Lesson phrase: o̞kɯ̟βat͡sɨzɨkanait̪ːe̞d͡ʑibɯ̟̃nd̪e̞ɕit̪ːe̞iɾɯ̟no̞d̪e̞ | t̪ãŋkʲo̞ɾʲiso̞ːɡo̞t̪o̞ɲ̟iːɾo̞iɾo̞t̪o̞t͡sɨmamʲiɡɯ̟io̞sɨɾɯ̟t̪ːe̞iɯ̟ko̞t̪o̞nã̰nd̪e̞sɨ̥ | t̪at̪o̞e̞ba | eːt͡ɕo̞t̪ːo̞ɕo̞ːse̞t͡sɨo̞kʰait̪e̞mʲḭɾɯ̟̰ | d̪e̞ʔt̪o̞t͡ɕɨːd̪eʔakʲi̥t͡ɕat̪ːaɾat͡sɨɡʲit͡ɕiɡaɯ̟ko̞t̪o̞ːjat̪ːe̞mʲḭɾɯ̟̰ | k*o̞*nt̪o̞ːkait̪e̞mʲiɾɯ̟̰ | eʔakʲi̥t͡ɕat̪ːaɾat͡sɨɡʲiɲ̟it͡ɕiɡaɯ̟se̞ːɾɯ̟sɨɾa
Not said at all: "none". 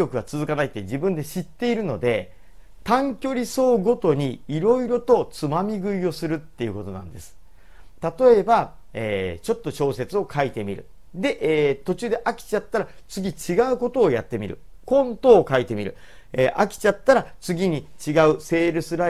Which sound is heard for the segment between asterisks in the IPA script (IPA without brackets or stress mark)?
õ̞